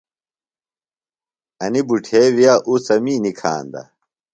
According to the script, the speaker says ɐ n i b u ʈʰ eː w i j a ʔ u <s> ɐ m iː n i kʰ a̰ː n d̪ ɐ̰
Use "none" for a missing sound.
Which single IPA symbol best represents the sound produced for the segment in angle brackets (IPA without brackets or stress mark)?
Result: s